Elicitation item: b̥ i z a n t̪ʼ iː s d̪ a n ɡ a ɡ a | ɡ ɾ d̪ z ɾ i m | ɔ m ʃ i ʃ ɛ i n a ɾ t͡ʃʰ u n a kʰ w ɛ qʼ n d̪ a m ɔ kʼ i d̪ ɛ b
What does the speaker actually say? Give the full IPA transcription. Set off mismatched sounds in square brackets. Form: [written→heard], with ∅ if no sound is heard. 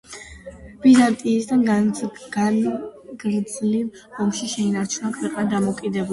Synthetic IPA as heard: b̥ i z a n t̪ʼ iː s d̪ a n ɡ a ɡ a | ɡ ɾ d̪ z [ɾ→l] i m | ɔ m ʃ i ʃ ɛ i n a ɾ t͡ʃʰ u n a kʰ w ɛ qʼ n d̪ a m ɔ kʼ i d̪ ɛ b